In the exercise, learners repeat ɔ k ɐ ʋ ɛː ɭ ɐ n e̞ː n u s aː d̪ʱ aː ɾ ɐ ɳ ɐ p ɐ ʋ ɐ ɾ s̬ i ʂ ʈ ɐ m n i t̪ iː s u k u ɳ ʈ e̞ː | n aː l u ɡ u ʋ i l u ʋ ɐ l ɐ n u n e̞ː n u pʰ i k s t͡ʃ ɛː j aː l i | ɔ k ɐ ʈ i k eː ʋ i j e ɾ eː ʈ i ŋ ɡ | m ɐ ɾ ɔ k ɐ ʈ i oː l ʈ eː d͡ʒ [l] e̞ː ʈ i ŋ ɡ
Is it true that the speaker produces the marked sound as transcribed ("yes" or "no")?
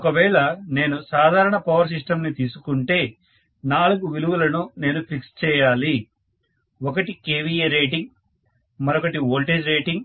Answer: no